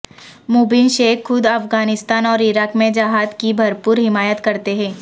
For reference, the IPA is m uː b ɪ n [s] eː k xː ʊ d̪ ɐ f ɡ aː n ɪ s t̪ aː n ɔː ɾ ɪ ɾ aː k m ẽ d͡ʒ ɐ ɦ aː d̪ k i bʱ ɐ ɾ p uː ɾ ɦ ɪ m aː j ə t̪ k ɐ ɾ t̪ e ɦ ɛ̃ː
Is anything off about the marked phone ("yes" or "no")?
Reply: yes